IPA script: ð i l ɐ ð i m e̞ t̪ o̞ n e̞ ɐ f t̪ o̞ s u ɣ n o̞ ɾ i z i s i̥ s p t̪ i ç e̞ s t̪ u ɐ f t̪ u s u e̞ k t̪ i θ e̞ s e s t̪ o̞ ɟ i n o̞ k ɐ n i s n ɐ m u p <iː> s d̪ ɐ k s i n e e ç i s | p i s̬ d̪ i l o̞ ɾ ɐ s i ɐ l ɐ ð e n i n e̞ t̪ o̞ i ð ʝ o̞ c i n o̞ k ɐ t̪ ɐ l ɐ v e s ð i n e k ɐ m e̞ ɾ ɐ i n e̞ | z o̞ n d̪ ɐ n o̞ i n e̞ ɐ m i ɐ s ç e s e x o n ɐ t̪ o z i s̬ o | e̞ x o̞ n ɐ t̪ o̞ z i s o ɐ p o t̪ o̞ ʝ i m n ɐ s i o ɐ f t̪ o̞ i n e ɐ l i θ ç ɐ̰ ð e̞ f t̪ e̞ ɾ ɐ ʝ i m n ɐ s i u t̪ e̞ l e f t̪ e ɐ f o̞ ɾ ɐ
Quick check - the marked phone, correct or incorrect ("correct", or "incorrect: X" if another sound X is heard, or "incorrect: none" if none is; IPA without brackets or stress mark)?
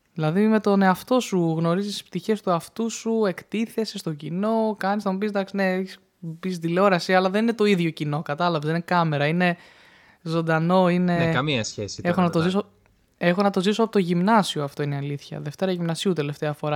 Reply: incorrect: i